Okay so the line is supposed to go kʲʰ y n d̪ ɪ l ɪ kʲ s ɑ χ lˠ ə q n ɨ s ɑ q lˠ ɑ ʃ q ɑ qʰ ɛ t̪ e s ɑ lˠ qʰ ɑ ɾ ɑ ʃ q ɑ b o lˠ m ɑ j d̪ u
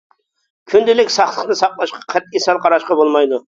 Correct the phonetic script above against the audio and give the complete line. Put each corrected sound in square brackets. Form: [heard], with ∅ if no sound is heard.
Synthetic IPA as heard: kʲʰ y n d̪ ɪ l ɪ kʲ s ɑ χ lˠ ə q n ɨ s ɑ q lˠ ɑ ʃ q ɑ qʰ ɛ t̪ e s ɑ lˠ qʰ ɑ ɾ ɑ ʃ q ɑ b o lˠ m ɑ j d̪ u